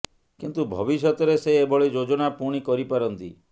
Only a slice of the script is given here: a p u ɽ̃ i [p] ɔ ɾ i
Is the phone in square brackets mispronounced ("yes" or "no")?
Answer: yes